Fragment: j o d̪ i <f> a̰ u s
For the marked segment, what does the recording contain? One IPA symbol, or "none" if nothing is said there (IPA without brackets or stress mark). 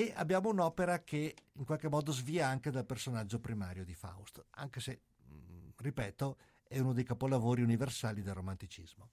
f